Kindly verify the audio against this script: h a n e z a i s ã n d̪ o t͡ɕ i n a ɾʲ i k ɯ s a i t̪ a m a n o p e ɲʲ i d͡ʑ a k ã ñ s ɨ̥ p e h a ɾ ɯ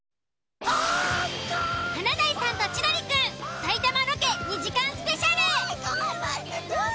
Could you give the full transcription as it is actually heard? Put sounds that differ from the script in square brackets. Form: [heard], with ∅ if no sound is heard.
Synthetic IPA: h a n [a] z a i s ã n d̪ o t͡ɕ i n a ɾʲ i k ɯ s a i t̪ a m a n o [k] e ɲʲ i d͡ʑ [i] k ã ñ s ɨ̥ p e [ɕ] a ɾ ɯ